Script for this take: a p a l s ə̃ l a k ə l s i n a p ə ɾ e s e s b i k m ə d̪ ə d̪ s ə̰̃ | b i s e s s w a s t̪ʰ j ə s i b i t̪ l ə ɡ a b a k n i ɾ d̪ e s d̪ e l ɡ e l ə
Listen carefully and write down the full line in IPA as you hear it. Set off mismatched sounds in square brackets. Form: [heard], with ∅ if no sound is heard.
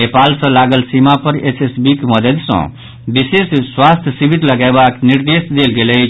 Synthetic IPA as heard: [e] p a l s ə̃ l a [ɡ] ə l s i [m] a p ə ɾ e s e s b i k m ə d̪ ə d̪ s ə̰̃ | b i s e s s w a s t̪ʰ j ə s i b i t̪ l ə ɡ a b a k n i ɾ d̪ e s d̪ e l ɡ e l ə